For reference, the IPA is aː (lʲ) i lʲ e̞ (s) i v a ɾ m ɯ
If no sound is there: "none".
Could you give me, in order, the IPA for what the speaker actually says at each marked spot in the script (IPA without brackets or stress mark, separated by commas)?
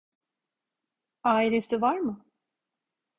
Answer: none, s